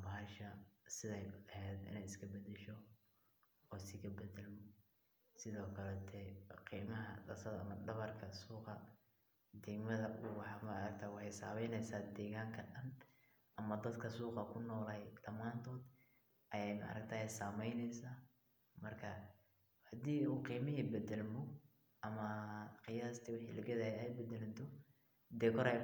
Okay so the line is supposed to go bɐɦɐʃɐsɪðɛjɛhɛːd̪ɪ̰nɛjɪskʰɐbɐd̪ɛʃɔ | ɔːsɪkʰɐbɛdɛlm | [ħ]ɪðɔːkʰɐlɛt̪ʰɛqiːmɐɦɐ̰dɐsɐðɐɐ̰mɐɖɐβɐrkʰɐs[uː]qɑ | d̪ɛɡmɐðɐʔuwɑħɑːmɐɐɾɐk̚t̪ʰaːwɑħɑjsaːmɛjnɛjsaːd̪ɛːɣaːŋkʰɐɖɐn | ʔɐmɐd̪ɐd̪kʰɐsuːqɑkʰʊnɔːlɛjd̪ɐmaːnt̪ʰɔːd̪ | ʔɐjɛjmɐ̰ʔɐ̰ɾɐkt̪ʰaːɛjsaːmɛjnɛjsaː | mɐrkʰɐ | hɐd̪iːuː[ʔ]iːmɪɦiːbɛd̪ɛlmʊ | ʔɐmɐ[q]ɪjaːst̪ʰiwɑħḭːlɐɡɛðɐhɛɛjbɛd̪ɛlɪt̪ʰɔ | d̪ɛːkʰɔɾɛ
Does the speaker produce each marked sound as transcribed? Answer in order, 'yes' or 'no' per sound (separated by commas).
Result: no, yes, no, yes